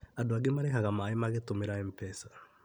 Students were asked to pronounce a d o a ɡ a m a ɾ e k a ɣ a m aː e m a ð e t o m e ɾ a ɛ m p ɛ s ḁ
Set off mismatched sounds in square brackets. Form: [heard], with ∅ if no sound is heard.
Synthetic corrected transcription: a d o a ɡ [e] m a ɾ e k a ɣ a m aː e m a [ɣ] e t o m e ɾ a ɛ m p ɛ s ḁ